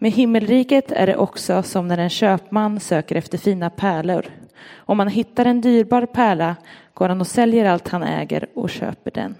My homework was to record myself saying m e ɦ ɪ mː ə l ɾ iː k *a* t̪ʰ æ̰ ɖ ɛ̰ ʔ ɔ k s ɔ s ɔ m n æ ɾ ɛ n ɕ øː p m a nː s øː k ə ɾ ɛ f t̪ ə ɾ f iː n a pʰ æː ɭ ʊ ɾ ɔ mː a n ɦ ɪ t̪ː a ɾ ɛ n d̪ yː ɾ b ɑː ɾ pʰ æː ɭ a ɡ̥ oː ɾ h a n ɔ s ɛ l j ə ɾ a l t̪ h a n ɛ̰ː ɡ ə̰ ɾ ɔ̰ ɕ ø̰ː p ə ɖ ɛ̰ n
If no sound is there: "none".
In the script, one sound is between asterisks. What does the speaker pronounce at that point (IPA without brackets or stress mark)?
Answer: ə